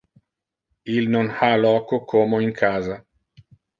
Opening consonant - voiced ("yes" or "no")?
yes